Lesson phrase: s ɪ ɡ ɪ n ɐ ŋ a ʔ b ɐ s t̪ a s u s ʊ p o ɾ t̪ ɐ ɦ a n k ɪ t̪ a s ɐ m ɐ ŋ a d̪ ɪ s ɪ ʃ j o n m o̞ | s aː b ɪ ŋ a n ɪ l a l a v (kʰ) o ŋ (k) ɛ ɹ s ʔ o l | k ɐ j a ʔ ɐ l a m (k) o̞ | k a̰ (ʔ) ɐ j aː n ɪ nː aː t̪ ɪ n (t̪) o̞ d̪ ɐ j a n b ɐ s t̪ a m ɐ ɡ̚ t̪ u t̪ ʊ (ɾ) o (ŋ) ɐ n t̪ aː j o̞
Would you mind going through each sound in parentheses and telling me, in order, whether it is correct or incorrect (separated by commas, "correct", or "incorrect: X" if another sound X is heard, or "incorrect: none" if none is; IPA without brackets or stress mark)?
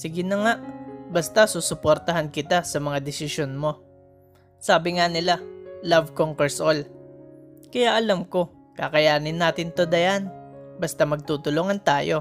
incorrect: k, correct, correct, incorrect: k, correct, incorrect: l, correct